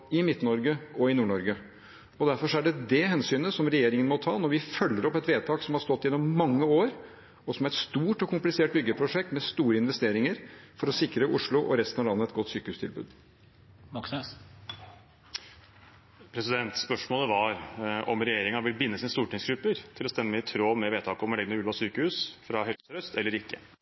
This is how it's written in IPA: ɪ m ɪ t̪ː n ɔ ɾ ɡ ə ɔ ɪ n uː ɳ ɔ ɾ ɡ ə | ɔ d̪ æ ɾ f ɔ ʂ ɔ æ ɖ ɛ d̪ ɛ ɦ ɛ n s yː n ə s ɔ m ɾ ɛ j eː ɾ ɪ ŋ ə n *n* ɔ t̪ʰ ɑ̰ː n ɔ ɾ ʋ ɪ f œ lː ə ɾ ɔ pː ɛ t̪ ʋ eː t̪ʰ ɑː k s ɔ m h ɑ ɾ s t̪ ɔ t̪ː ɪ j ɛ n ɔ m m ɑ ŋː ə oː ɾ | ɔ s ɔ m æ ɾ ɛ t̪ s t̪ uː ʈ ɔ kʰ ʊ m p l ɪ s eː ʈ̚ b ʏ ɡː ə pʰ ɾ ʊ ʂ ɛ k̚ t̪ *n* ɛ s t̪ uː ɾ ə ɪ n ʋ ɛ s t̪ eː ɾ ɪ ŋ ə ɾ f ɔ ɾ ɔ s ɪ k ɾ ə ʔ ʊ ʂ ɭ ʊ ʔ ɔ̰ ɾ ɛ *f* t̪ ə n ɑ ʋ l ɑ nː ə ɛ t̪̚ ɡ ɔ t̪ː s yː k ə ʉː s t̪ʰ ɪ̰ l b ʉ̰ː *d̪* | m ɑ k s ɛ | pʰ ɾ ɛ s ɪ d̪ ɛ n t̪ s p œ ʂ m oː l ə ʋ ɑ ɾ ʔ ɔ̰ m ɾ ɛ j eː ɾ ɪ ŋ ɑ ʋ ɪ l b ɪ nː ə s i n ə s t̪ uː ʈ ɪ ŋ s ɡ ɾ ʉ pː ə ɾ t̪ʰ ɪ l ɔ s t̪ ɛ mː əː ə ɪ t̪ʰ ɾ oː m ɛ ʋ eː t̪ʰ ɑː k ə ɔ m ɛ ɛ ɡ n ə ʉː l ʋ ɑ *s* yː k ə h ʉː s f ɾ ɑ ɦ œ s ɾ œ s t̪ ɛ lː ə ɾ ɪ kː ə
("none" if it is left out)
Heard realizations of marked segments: m, m, s, d̪, s

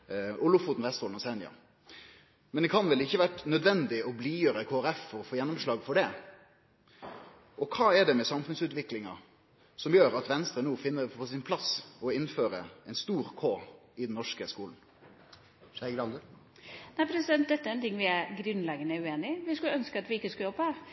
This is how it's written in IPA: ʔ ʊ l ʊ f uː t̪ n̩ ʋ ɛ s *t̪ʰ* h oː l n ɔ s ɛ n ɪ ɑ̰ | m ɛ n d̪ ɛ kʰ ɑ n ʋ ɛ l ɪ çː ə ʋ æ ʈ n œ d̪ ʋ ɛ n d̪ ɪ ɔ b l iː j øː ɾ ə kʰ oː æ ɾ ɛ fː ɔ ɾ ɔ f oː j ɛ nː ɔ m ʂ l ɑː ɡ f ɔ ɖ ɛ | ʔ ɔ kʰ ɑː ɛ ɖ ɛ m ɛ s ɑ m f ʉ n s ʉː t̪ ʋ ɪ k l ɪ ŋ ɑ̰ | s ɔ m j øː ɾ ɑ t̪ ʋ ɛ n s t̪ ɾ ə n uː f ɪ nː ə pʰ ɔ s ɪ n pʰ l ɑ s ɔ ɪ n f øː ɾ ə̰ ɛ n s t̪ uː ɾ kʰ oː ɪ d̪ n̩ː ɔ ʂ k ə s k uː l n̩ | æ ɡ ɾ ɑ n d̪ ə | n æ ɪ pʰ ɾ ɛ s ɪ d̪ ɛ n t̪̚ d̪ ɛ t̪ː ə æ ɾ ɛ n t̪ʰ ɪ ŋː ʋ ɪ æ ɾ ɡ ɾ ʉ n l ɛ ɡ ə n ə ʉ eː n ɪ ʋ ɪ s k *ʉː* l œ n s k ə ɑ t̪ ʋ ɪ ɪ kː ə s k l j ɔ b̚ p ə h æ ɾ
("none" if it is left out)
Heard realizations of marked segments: t̪, ʉ

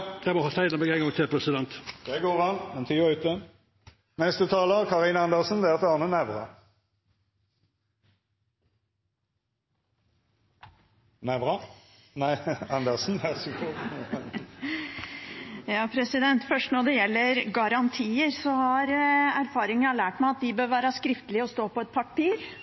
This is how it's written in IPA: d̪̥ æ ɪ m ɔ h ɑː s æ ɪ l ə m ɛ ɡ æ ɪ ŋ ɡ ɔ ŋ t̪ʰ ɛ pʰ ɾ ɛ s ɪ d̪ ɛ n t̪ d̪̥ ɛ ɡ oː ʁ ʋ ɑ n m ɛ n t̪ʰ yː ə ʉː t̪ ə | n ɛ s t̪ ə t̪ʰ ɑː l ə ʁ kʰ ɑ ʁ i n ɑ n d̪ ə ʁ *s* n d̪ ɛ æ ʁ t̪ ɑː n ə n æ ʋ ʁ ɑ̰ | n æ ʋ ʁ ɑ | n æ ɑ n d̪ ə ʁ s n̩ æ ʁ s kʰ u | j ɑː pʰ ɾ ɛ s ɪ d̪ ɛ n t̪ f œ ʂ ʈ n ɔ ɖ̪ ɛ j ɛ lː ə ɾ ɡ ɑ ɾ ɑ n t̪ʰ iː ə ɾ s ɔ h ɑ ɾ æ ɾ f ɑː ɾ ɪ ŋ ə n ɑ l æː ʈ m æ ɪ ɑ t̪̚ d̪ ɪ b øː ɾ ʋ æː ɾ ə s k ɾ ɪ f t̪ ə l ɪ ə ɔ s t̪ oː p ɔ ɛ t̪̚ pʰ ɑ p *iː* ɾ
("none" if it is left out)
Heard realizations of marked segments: s, iː

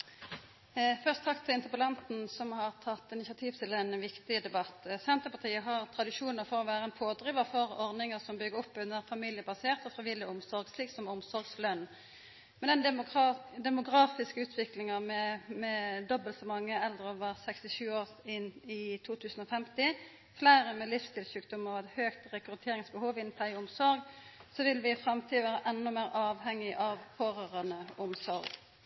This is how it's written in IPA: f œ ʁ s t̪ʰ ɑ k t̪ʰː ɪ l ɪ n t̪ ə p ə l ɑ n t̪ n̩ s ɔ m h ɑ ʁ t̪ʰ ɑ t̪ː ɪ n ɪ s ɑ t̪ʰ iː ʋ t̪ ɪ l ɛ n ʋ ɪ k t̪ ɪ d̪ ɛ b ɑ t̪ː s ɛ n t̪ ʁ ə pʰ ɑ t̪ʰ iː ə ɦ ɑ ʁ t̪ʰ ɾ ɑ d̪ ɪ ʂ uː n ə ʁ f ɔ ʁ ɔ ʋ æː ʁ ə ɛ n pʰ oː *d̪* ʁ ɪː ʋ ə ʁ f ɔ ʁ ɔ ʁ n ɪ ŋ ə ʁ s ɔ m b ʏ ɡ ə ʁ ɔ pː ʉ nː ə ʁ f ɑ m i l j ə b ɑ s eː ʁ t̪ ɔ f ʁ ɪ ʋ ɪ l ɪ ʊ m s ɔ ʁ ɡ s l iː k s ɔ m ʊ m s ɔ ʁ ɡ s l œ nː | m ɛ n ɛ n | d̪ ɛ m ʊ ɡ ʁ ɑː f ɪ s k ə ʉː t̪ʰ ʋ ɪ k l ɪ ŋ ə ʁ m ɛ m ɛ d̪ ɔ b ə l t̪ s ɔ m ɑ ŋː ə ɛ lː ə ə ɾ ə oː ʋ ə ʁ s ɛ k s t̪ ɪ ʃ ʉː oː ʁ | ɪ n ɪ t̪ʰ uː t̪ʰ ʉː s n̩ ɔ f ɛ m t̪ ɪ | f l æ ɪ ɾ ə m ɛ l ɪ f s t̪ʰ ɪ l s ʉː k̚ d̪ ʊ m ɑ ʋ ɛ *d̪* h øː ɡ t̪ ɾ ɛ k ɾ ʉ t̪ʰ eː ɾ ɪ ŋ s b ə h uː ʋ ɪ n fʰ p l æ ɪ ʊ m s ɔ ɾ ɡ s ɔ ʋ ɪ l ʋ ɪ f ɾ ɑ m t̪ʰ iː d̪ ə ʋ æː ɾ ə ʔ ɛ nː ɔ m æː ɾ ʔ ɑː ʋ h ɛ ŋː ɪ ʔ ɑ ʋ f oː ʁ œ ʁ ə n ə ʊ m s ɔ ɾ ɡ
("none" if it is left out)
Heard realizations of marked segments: d̪, t̪

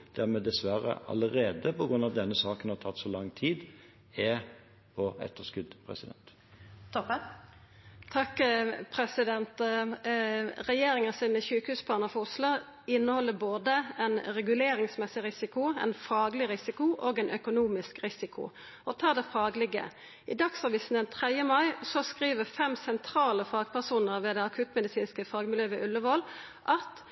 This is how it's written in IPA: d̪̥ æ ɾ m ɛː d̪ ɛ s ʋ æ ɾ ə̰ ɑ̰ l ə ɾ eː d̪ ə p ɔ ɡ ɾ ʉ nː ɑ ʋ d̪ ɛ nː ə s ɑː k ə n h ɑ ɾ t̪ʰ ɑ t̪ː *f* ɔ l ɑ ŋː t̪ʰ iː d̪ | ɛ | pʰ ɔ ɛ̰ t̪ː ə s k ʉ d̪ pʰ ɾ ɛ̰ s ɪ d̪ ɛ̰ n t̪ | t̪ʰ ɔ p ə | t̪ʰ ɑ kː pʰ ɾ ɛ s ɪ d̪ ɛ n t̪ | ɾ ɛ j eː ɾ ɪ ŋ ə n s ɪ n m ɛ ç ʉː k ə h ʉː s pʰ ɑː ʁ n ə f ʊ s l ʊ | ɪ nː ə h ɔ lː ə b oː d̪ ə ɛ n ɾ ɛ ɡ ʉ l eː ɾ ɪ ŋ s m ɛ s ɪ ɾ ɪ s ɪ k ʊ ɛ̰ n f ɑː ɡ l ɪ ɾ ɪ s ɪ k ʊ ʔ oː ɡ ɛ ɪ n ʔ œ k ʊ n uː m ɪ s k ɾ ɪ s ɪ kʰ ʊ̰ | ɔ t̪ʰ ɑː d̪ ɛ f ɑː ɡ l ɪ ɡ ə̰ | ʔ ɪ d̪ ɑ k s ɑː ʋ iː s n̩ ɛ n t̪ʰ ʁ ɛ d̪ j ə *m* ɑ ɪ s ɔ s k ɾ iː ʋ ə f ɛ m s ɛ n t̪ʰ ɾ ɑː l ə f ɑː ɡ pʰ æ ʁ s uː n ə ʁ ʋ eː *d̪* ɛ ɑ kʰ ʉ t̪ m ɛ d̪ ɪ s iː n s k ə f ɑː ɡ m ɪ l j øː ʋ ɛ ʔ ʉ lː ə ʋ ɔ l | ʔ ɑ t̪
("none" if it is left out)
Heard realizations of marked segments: s, m, d̪

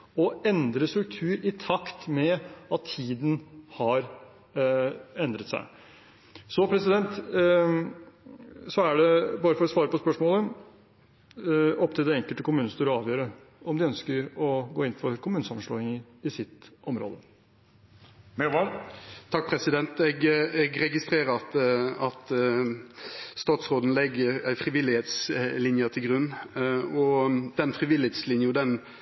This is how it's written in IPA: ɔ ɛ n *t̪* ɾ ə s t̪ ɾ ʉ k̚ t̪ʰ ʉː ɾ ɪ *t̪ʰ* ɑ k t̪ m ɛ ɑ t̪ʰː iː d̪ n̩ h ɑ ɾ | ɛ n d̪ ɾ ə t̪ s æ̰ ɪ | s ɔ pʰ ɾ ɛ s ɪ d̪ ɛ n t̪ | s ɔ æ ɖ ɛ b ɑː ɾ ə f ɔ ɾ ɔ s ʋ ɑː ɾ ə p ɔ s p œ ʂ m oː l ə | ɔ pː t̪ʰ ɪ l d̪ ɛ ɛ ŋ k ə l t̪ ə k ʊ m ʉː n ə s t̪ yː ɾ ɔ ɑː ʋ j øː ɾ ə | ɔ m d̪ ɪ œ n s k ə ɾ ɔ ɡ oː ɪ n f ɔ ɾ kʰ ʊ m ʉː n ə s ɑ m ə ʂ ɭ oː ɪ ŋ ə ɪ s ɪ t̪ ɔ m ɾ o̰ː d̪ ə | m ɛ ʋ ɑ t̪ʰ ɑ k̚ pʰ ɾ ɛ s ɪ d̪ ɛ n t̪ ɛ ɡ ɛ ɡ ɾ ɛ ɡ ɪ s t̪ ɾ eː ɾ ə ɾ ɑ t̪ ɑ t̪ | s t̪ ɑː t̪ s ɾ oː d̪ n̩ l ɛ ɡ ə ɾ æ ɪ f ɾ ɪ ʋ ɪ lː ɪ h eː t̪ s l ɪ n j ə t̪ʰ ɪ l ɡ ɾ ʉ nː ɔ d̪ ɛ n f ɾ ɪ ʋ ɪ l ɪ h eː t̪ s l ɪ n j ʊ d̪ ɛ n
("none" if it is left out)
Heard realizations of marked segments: d̪, t̪ʰ

